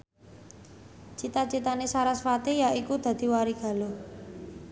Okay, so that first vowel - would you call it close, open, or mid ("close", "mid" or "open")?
close